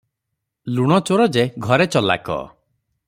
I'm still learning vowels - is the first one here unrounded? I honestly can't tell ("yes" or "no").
no